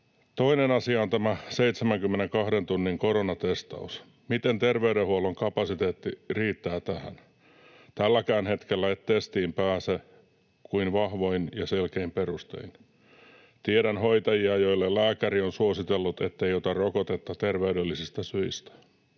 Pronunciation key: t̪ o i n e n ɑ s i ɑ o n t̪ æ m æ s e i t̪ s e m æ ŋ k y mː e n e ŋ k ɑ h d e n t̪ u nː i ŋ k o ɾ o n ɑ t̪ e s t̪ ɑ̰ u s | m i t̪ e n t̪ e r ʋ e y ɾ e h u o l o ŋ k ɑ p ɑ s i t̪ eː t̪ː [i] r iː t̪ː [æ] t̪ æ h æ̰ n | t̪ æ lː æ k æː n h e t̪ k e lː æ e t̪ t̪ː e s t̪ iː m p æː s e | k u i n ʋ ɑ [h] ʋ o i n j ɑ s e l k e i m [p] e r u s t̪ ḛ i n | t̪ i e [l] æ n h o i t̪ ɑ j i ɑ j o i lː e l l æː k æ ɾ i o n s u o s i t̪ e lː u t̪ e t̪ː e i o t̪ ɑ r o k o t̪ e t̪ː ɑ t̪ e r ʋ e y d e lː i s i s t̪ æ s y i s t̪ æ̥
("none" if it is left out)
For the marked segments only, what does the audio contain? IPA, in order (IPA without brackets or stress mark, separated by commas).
i, æː, h, p, ɾ